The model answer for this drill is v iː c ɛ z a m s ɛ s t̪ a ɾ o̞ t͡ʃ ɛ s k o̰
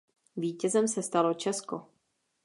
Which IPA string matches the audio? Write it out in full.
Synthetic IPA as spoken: v iː c ɛ z ɛ m s ɛ s t̪ a l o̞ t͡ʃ ɛ s k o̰